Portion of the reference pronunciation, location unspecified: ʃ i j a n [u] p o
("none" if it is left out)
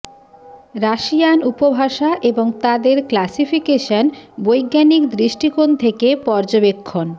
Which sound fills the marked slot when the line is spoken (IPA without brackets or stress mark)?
u